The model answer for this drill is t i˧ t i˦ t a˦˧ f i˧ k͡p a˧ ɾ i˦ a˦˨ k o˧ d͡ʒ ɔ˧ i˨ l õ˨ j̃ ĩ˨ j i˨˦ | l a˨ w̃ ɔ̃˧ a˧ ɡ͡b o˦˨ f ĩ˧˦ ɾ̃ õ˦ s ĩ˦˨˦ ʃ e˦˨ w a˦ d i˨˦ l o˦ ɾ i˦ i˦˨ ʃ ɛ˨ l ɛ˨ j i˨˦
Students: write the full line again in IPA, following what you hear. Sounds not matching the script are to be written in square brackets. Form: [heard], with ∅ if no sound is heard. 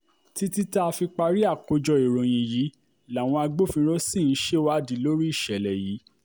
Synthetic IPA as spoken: t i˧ t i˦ t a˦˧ f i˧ k͡p a˧ ɾ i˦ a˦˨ k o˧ d͡ʒ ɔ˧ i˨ [ɾ] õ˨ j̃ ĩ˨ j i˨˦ | l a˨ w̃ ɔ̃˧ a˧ ɡ͡b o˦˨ f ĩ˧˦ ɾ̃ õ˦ s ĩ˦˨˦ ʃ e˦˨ w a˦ d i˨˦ l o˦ ɾ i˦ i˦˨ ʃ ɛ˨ l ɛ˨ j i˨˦